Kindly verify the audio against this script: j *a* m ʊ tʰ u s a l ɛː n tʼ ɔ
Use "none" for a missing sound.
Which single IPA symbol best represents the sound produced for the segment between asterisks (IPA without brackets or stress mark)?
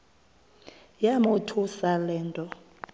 a